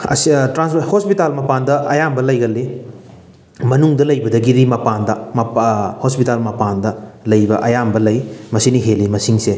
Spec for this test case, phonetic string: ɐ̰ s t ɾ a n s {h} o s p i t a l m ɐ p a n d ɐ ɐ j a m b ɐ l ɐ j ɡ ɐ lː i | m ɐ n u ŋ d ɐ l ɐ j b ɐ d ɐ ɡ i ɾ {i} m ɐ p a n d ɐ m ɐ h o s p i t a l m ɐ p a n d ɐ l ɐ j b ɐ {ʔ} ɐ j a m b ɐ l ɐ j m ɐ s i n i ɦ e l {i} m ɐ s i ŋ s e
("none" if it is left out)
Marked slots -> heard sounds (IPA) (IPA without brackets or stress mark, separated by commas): h, i, ʔ, i